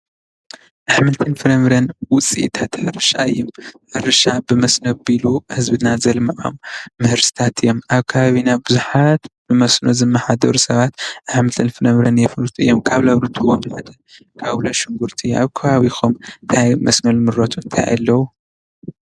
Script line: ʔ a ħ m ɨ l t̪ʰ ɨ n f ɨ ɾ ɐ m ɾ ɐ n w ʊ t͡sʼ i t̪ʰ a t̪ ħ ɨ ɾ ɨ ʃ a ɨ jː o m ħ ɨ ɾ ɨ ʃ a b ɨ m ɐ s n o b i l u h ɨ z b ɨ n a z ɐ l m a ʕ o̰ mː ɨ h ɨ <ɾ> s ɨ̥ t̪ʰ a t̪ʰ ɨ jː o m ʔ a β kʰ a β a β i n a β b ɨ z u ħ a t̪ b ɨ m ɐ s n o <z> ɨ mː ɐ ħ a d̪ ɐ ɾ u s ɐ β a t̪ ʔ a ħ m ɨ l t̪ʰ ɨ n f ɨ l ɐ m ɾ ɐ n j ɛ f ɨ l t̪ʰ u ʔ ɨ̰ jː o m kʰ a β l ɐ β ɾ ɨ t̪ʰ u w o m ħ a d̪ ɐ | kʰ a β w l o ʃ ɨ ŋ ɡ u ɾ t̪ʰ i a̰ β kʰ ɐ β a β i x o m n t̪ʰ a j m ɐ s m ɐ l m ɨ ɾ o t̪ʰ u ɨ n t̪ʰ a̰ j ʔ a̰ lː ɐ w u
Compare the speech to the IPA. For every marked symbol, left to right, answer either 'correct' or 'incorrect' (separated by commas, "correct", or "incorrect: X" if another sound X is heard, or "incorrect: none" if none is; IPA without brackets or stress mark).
correct, correct